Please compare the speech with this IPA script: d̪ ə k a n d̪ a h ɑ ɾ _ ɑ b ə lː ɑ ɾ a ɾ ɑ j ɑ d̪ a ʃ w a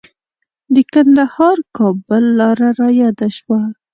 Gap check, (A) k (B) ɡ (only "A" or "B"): A